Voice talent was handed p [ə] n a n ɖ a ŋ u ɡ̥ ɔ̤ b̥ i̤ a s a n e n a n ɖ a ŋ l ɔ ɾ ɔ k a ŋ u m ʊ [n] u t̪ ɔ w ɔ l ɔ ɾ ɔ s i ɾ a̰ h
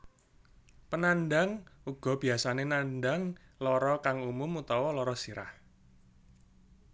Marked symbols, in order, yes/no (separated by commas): yes, no